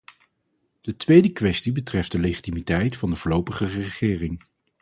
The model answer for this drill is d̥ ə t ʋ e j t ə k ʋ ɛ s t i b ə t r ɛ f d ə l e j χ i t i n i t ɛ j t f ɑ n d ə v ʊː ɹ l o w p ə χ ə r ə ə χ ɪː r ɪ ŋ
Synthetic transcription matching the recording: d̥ ə t ʋ e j d ə k ʋ ɛ s t i b ə t r ɛ f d ə l e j χ i t i m i t ɛ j t f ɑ n d ə v ʊː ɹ l o w p ə χ ə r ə ə χ ɪː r ɪ ŋ